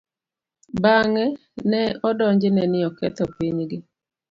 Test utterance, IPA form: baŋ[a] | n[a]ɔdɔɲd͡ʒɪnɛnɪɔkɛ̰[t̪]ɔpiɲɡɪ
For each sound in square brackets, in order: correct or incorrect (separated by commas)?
incorrect, incorrect, correct